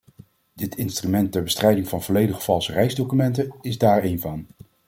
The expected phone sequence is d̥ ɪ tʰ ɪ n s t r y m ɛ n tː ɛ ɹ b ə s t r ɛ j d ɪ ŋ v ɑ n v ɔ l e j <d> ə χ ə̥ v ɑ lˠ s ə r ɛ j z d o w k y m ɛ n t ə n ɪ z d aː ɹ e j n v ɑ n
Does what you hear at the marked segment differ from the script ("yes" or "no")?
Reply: no